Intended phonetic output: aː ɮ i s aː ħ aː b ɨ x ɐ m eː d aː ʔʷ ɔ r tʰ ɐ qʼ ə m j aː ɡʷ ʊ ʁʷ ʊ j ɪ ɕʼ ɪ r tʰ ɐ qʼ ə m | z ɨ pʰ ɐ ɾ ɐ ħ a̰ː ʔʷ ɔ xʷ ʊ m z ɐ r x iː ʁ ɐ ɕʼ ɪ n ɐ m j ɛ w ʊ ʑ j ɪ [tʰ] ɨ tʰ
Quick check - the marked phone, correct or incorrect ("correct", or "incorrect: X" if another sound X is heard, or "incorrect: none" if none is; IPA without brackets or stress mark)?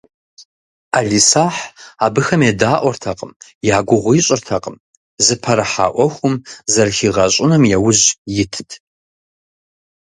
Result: correct